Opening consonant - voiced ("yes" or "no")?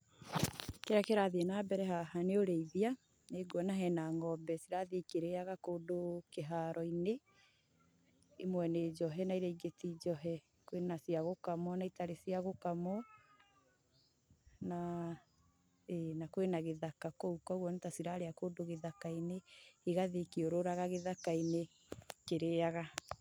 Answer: no